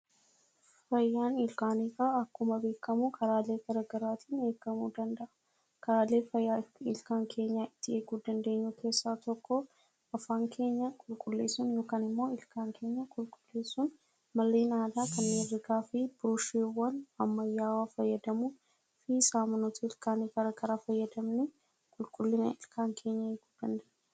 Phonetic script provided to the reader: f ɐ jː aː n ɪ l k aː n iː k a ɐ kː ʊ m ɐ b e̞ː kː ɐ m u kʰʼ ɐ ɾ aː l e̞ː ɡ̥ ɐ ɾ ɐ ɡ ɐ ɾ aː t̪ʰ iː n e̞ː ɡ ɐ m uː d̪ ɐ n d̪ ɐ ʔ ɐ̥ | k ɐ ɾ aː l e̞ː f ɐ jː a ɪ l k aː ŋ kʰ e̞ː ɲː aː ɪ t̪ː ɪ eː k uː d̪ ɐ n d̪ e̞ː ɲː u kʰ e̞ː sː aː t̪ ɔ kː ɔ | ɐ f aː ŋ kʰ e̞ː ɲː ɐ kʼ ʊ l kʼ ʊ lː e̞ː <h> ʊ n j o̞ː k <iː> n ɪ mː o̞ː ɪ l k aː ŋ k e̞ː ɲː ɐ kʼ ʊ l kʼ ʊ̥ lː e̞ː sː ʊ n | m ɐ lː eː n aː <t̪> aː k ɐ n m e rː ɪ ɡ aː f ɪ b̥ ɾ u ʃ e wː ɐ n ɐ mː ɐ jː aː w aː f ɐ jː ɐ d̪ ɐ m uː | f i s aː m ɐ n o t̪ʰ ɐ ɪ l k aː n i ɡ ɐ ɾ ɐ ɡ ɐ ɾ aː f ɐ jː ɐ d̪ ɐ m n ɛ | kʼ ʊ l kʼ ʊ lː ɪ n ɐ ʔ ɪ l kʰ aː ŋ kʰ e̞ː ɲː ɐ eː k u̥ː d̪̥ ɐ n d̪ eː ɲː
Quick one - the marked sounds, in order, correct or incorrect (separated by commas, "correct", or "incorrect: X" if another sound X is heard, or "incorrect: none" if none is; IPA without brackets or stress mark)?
incorrect: s, incorrect: aː, incorrect: d̪